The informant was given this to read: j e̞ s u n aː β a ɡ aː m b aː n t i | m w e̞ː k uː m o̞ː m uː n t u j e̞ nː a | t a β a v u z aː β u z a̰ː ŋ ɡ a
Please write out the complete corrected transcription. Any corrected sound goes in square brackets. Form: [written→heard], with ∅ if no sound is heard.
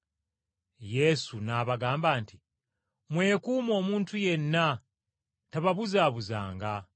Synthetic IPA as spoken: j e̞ s u n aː β a ɡ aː m b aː n t i | m w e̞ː k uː m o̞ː m uː n t u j e̞ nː a | t a β a [v→β] u z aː β u z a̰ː ŋ ɡ a